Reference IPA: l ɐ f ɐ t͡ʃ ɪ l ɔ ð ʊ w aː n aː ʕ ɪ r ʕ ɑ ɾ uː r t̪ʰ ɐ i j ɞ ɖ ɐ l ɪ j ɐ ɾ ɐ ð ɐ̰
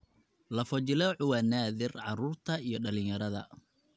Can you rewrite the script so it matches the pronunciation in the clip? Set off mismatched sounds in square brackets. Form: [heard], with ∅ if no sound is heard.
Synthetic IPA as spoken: l ɐ f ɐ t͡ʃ ɪ l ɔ [ʕ] ʊ w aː n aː [ð] ɪ r ʕ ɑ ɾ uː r t̪ʰ ɐ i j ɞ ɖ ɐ l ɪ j ɐ ɾ ɐ ð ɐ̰